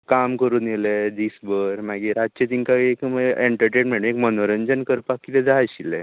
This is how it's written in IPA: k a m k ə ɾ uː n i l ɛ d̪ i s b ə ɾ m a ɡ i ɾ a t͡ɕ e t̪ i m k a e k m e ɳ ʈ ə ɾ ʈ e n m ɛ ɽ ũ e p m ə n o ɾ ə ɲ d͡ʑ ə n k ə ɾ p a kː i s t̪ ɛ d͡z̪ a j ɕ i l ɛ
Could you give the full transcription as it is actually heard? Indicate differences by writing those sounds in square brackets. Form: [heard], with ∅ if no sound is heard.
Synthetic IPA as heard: k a m k ə ɾ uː n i l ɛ d̪ i s b ə ɾ m a ɡ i ɾ a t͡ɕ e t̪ i [ŋ] k a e k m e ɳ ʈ ə ɾ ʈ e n m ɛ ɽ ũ e [k] m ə n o ɾ ə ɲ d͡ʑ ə n k ə ɾ p a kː i [∅] t̪ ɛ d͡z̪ a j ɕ i l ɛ